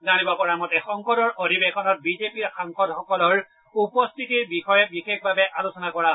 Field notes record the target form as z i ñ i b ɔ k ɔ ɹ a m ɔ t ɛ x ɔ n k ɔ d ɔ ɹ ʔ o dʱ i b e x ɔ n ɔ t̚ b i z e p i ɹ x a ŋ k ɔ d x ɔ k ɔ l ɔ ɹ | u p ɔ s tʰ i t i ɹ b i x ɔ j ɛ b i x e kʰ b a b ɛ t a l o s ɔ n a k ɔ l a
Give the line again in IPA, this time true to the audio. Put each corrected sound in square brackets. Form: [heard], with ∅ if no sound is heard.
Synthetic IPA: z [a] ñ i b ɔ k ɔ ɹ a m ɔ t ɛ x ɔ [ŋ] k ɔ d ɔ ɹ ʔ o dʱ i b e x ɔ n ɔ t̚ b i z e p i ɹ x a ŋ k ɔ d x ɔ k ɔ l ɔ ɹ | u p ɔ s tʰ i t i ɹ b i x ɔ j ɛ b i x e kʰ b a b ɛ [ʔ] a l o s ɔ n a k ɔ [ɹ] a